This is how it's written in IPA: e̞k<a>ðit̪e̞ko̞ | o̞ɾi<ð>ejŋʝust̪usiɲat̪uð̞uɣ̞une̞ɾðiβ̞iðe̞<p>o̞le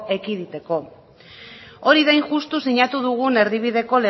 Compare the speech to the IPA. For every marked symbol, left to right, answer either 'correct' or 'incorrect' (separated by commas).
incorrect, correct, incorrect